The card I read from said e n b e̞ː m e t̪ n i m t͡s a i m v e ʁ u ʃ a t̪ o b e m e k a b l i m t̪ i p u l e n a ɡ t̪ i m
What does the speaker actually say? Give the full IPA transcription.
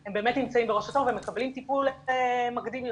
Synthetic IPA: e m b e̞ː m e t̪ n i m t͡s a i m b e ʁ o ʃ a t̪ o v e m e k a b l i m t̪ i p u l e m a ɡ d̪ i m